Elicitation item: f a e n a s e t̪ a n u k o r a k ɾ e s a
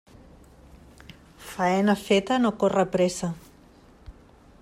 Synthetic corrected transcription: f a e n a f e t̪ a n o k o r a p ɾ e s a